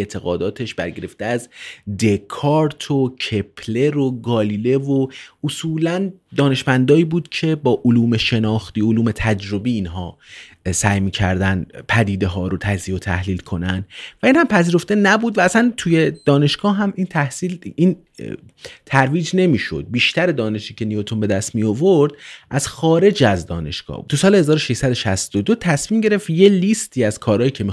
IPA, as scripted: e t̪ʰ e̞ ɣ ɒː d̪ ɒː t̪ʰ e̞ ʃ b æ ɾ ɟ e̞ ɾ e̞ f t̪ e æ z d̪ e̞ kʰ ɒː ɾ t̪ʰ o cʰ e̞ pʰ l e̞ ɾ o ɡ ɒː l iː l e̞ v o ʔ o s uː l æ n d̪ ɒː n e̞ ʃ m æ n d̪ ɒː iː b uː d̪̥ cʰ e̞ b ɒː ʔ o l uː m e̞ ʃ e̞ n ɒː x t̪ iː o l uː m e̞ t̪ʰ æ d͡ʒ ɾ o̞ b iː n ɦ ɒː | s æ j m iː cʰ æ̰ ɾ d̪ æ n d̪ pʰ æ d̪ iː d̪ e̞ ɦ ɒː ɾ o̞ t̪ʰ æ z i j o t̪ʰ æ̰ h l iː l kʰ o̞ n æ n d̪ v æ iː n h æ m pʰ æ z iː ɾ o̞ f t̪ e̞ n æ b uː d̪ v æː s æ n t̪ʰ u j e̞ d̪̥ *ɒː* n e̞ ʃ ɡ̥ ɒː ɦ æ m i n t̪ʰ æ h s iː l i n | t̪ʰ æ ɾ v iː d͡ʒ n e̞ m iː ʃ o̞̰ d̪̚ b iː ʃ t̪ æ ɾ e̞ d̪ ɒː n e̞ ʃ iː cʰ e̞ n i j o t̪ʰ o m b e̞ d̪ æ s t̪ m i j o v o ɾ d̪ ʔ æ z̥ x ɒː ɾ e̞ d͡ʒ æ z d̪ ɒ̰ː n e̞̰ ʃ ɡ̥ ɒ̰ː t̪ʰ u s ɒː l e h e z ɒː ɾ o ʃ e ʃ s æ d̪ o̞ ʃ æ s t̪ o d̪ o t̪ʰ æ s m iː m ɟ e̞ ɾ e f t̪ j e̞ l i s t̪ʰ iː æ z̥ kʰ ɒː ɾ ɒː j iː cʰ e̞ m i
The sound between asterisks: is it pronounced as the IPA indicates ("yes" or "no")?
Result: yes